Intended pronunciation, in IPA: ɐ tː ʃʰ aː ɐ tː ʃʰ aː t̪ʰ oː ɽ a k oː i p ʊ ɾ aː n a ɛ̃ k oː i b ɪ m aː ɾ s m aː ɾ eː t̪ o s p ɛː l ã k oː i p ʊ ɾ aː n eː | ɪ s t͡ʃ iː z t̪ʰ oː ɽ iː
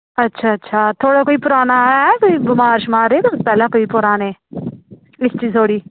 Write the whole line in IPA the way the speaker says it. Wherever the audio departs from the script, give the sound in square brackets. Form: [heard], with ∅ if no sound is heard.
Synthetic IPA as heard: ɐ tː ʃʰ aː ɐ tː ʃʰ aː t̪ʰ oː ɽ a k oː i p ʊ ɾ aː n a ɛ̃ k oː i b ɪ m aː ɾ [ʃ] m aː ɾ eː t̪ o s p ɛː l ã k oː i p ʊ ɾ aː n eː | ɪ s t͡ʃ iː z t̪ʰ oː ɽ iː